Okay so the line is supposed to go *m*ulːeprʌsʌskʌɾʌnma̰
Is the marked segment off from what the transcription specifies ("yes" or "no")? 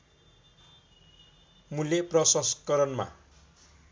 no